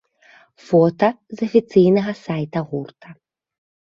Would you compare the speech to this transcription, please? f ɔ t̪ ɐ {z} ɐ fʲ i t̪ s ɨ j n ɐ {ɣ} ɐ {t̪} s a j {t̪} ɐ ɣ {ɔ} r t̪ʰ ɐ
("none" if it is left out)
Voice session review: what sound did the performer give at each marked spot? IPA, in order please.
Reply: z, ɣ, none, t̪, u

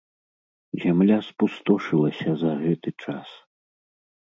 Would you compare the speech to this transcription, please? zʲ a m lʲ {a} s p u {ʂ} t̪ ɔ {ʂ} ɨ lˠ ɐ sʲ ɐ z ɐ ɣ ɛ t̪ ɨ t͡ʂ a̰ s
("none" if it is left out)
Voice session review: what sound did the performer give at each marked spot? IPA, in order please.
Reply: a, s, ʂ

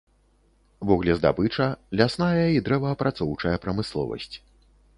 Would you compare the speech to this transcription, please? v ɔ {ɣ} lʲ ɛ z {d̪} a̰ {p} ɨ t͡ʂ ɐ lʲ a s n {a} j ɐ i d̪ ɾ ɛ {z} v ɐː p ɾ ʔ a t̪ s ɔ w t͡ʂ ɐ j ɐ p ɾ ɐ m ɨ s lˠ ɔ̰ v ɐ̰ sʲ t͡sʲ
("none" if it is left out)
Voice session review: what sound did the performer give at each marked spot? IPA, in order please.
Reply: ɣ, d̪, b, a, none

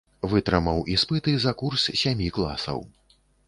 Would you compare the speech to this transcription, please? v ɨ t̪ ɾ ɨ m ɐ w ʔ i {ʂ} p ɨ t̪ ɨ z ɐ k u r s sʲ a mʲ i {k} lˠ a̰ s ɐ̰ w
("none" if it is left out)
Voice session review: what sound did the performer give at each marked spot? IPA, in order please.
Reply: s, k

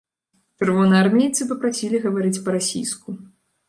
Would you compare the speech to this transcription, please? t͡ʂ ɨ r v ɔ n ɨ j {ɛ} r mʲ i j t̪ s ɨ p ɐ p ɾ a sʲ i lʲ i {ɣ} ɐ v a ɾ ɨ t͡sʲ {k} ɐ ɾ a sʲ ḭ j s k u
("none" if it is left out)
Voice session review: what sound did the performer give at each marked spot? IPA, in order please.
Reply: a, ɣ, p

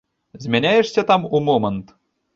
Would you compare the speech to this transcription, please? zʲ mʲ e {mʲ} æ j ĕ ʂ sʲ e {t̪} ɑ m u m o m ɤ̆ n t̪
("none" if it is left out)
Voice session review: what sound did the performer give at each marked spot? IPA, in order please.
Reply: nʲ, t̪

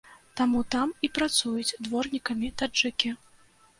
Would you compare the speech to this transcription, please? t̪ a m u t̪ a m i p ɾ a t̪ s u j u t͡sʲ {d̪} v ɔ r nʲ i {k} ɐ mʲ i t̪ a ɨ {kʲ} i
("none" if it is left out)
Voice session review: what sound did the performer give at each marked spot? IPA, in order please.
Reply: d̪, k, kʲ

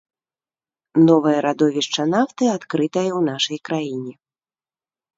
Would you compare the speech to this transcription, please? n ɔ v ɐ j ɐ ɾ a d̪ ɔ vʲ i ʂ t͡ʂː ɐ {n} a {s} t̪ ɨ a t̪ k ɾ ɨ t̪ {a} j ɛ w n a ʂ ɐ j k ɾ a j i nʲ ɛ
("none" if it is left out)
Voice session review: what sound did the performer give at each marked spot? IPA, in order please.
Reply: n, f, ɐ

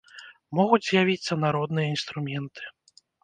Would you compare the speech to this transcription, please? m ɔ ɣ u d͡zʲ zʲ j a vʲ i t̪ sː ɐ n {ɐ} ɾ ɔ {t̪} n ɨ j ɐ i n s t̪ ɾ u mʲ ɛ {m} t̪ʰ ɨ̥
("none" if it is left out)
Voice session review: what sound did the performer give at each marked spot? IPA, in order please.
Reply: a, d̪, n

